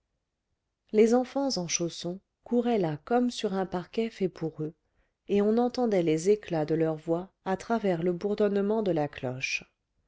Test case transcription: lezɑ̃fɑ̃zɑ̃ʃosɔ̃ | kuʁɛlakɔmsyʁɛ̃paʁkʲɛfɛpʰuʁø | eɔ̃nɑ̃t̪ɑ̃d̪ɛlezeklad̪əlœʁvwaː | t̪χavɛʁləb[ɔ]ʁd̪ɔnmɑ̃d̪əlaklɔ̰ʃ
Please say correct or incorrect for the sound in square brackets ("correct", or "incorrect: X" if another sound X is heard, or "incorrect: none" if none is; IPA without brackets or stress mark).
incorrect: u